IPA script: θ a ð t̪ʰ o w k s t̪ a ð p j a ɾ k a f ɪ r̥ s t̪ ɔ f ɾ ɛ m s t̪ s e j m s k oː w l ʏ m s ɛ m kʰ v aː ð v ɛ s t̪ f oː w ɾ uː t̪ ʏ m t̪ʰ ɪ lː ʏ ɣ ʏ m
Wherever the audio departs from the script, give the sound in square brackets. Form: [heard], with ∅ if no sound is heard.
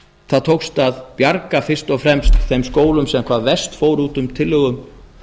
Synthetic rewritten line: θ a ð t̪ʰ o w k s t̪ a ð p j a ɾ k a f ɪ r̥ s t̪ ɔ f ɾ ɛ m s t̪ [θ] e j m s k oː w l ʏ m s ɛ m kʰ v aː ð v ɛ s t̪ f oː w ɾ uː t̪ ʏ m t̪ʰ ɪ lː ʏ ɣ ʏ m